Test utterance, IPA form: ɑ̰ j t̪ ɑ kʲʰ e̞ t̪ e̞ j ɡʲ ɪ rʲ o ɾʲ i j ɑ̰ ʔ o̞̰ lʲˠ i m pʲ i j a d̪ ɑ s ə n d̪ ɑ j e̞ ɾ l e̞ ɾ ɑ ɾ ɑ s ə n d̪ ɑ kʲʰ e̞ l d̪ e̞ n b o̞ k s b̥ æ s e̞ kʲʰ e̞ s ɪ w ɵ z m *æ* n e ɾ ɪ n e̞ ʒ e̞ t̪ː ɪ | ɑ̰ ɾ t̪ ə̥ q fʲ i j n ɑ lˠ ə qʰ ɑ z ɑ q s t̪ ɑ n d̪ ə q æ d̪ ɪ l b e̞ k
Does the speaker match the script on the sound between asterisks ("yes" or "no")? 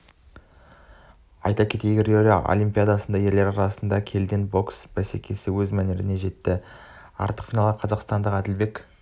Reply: yes